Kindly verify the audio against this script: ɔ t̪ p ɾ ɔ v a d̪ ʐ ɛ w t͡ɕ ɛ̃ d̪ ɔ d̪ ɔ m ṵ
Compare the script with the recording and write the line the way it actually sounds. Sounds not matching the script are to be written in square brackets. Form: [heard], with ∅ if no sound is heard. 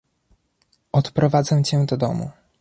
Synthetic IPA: ɔ t̪ p ɾ ɔ v a d̪ [z] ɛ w t͡ɕ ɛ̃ d̪ ɔ d̪ ɔ m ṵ